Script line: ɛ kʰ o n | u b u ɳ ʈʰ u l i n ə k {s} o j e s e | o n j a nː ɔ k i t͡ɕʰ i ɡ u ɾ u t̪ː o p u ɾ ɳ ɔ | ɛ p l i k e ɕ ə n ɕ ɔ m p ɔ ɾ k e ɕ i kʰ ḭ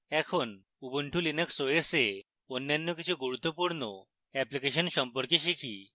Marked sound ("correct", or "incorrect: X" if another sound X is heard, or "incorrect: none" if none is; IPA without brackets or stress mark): correct